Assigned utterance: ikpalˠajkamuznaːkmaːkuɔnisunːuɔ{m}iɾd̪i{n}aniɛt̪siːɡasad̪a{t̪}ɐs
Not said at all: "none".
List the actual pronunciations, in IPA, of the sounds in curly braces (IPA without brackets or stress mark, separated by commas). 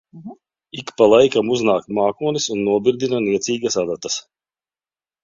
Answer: b, n, t̪